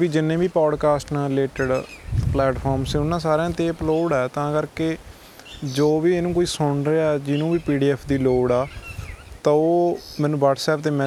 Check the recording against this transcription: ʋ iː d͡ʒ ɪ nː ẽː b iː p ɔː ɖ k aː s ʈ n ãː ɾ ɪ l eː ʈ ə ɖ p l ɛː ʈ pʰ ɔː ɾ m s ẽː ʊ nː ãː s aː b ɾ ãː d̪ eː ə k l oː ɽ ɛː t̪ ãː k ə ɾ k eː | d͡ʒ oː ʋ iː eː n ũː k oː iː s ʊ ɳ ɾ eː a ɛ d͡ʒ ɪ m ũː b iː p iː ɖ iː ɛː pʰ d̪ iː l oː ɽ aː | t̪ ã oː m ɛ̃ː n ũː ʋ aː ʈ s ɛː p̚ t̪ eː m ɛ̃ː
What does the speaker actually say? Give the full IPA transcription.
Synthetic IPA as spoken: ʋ iː d͡ʒ ɪ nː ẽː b iː p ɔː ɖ k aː s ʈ n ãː ɾ ɪ l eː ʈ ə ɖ p l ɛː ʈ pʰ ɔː ɾ m s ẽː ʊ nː ãː s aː ɾ ãː t̪ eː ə p l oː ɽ ɛː t̪ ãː k ə ɾ k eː | d͡ʒ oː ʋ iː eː n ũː k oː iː s ʊ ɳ ɾ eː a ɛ d͡ʒ ɪ n ũː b iː p iː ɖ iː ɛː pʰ d̪ iː l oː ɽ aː | t̪ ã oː m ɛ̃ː n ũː ʋ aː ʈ s ɛː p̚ t̪ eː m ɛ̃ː